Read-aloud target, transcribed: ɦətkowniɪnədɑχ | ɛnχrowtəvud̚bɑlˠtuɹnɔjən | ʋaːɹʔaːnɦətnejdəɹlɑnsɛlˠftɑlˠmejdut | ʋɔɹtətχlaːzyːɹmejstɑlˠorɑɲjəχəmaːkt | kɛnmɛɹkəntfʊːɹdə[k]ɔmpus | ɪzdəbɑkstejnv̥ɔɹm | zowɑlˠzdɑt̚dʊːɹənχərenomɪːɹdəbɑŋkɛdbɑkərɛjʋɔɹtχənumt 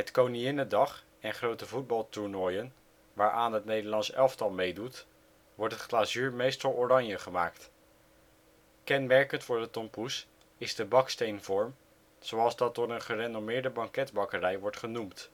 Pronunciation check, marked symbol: incorrect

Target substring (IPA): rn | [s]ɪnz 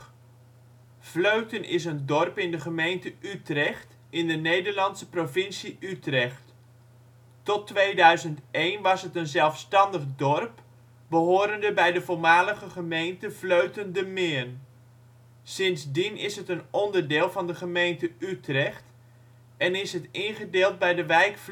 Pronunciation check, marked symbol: correct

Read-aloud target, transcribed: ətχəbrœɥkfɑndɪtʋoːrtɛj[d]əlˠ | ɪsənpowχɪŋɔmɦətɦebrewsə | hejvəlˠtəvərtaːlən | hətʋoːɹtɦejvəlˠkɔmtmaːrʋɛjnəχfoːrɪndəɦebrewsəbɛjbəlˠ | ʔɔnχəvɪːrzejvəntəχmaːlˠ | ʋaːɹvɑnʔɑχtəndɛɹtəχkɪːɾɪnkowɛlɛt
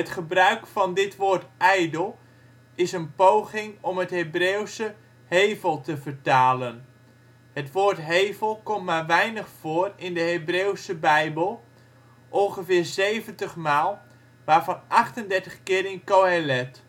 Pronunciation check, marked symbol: correct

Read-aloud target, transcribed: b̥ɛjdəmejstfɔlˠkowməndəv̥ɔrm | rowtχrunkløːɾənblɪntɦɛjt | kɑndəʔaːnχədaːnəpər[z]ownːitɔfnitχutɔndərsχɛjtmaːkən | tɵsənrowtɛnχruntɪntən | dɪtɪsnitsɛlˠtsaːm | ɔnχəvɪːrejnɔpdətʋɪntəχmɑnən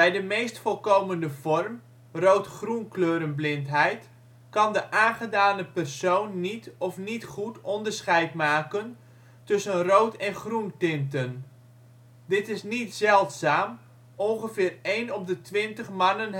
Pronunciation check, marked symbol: incorrect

